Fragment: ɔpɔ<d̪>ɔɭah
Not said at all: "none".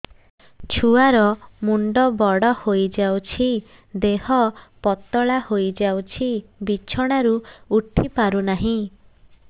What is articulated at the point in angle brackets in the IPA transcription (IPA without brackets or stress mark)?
t̪